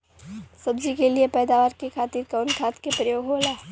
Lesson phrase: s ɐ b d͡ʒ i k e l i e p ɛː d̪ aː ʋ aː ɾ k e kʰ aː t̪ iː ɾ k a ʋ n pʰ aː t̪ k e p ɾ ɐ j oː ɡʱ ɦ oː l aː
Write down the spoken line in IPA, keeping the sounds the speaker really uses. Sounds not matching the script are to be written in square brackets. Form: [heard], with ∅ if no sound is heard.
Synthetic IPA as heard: s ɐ b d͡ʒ i k e l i e p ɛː d̪ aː ʋ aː ɾ k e kʰ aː t̪ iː ɾ k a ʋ n [kʰ] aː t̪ k e p ɾ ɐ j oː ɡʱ ɦ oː l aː